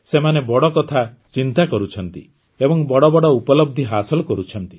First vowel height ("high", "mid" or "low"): mid